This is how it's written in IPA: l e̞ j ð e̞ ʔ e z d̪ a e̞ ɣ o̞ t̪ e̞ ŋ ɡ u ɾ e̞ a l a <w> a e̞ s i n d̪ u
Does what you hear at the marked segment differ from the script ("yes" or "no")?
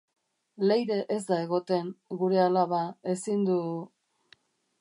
yes